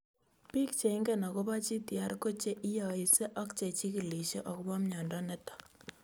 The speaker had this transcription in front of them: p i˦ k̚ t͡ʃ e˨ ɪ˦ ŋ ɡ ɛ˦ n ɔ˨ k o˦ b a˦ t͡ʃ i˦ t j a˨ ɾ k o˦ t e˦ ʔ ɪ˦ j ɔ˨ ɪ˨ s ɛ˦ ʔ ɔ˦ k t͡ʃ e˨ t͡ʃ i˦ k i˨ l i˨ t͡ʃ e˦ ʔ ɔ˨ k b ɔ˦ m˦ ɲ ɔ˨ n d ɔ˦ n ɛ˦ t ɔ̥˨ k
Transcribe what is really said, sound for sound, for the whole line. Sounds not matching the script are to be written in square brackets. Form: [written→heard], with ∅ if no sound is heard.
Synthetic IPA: p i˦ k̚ t͡ʃ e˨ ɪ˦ ŋ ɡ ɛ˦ n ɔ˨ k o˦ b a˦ t͡ʃ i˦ t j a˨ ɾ k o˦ [t→t͡ʃ] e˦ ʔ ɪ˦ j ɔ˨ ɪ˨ s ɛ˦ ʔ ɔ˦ k t͡ʃ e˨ t͡ʃ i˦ k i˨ l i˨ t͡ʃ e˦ ʔ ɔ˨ k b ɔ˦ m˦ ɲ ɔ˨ n d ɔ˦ n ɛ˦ t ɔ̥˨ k

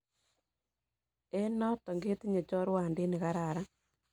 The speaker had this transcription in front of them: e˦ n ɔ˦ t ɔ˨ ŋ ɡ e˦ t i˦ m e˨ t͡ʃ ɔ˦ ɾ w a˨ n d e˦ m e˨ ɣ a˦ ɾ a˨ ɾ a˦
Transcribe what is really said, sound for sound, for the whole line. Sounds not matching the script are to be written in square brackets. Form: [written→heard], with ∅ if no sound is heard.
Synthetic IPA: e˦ n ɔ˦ t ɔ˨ ŋ ɡ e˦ t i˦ [m→ɲ] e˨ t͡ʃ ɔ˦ ɾ w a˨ n d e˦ [m→n] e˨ ɣ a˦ ɾ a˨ ɾ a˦

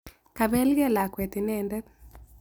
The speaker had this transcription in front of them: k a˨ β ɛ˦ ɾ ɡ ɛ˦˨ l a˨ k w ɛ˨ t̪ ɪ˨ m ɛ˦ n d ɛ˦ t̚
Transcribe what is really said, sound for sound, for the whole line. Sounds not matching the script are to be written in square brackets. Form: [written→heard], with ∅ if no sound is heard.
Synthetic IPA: k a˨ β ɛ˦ [ɾ→l] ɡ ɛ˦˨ l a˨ k w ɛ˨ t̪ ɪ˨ [m→n] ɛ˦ n d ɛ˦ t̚

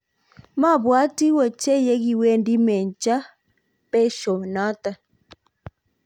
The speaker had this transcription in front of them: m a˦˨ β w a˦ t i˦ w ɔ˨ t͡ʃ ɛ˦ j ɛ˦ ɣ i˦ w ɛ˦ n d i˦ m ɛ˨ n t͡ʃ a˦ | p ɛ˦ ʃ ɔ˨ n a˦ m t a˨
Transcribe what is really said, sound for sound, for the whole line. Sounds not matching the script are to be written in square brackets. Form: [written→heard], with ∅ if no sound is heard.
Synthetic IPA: m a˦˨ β w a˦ t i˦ w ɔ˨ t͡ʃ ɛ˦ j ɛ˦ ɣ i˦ w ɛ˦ n d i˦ m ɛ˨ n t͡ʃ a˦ | p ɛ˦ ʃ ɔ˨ n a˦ [m→∅] t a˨

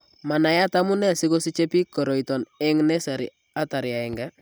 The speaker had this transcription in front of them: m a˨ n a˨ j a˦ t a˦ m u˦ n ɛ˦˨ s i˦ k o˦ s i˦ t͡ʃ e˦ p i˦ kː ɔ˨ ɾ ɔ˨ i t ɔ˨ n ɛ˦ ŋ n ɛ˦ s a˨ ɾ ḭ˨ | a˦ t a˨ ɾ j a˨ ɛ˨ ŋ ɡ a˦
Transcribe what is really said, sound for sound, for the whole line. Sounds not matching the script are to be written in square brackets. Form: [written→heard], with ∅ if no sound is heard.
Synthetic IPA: m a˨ n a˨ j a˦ t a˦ m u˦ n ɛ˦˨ s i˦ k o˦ s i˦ t͡ʃ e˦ p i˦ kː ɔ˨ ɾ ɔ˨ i t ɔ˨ n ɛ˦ ŋ n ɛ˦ s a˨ ɾ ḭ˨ | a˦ t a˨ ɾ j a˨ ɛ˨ ŋ ɡ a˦

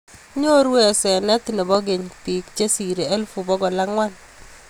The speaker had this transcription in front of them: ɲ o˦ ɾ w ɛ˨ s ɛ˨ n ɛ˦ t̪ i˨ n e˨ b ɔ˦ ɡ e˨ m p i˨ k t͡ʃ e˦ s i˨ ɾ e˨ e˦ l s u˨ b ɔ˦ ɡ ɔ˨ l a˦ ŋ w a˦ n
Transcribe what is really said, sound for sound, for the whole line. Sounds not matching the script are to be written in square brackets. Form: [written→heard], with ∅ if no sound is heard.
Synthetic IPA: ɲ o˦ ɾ w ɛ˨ s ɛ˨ n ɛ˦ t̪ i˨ n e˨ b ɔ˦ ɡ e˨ [m→ɲ] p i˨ k t͡ʃ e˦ s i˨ ɾ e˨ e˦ l [s→f] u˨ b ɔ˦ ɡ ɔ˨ l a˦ ŋ w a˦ n

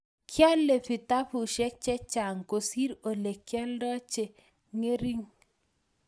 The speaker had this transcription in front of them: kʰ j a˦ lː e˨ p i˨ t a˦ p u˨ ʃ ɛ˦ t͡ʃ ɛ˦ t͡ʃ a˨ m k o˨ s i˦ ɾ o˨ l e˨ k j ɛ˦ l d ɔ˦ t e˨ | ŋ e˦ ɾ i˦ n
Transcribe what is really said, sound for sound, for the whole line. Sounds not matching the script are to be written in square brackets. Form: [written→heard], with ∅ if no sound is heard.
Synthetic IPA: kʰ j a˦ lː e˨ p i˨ t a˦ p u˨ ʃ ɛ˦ t͡ʃ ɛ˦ t͡ʃ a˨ [m→ŋ] k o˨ s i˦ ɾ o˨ l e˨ k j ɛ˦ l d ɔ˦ [t→t͡ʃ] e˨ | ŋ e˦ ɾ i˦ [n→ŋ]

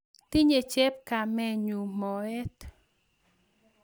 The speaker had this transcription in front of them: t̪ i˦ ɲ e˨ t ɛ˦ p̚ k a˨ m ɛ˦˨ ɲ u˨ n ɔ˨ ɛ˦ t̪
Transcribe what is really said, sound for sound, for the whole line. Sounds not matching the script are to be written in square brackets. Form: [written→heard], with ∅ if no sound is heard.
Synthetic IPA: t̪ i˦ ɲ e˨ [t→t͡ʃ] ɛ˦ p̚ k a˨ m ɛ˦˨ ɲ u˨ [n→m] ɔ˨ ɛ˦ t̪

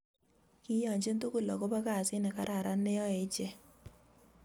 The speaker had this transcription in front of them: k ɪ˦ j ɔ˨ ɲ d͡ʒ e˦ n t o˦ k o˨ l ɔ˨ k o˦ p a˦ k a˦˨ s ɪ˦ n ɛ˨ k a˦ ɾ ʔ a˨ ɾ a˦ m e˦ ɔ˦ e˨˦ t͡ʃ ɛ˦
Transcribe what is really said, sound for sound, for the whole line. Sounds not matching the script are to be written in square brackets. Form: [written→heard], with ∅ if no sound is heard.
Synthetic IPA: k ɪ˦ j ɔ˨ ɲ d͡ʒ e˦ n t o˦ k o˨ l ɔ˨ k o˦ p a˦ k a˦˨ s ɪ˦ n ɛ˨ k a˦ ɾ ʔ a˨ ɾ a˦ [m→n] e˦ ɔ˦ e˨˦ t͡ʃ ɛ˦

